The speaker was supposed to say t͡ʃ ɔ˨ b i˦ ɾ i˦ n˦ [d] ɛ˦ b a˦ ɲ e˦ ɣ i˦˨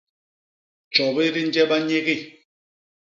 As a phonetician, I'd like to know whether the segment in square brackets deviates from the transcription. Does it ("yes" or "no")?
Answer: yes